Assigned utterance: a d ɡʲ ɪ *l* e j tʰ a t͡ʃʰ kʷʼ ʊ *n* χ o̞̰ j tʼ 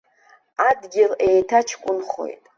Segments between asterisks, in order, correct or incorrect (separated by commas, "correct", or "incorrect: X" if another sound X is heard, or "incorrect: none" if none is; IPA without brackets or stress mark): correct, correct